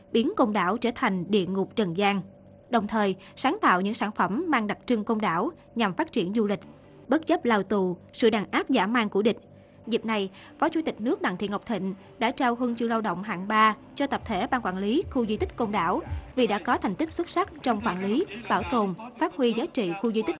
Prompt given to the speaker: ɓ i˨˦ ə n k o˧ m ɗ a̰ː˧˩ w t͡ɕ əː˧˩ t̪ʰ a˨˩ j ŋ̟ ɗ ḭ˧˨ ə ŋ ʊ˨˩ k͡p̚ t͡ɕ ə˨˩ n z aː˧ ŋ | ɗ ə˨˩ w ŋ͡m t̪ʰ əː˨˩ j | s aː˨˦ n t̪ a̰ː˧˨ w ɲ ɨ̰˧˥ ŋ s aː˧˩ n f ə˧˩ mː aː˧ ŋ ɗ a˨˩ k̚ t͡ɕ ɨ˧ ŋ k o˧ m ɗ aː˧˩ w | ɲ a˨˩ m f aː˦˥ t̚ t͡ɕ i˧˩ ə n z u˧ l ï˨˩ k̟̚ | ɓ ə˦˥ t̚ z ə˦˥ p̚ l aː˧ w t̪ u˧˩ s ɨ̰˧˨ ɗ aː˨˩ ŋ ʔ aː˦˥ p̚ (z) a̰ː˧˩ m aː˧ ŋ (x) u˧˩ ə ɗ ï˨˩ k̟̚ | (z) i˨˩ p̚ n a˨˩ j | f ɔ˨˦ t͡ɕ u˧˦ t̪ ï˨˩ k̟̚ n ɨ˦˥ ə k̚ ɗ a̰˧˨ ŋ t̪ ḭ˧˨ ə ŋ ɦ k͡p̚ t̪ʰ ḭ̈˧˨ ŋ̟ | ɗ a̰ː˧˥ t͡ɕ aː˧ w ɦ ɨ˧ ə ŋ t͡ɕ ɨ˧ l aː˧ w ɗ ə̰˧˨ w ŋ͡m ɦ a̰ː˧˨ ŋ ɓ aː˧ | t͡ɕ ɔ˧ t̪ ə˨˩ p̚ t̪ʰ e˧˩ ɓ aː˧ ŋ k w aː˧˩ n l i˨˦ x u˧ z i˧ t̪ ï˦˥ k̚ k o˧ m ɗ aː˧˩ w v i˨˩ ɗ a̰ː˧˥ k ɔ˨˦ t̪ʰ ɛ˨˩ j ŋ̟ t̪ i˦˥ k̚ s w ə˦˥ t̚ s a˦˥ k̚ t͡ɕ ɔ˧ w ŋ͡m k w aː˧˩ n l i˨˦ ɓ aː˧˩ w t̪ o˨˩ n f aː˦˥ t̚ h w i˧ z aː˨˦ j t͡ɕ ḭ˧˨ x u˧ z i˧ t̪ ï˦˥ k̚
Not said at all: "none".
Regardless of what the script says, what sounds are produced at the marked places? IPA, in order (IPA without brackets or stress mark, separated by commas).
z, k, z